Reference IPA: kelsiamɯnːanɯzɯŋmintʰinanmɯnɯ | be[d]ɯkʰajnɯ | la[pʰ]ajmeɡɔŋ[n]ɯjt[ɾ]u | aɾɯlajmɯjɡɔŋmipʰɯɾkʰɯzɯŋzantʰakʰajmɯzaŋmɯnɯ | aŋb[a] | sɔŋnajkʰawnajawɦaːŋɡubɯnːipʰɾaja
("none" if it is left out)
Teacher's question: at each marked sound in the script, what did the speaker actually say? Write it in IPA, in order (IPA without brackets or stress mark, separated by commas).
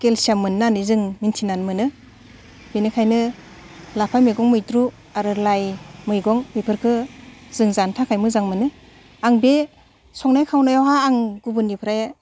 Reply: n, pʰ, m, ɾ, e